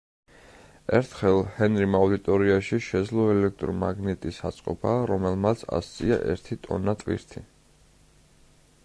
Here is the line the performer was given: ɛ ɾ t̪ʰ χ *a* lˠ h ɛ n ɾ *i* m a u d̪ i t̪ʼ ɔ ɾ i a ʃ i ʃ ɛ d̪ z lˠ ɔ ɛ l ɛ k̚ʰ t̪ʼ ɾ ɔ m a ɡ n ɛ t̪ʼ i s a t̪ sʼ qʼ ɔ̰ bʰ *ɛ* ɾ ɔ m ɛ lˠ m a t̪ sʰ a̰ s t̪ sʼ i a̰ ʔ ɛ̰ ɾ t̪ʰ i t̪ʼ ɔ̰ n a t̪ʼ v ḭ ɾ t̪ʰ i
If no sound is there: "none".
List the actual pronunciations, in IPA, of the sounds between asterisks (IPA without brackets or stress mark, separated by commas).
ɛ, i, a